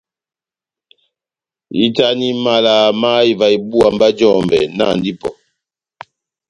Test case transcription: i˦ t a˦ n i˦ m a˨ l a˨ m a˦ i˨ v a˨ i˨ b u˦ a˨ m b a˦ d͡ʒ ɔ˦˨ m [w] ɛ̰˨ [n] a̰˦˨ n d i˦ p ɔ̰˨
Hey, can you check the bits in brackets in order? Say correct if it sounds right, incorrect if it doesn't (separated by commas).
incorrect, correct